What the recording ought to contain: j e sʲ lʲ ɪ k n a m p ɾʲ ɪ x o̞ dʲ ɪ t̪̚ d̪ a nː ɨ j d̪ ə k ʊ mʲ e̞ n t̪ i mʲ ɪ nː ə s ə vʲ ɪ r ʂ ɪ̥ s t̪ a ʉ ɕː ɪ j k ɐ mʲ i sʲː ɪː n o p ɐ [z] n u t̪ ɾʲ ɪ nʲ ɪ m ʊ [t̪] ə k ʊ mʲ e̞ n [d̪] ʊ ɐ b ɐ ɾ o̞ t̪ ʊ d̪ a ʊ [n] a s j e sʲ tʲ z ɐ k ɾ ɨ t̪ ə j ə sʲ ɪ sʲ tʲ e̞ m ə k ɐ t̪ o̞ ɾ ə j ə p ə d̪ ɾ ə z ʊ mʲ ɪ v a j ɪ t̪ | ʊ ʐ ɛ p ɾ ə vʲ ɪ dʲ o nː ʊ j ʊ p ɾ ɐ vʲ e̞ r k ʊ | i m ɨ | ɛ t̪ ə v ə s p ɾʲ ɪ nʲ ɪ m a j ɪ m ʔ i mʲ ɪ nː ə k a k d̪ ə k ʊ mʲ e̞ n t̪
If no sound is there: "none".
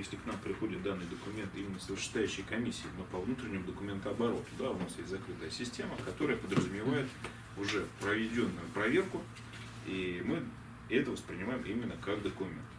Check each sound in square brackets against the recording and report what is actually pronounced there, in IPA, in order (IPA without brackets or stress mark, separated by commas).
v, d̪, t̪, n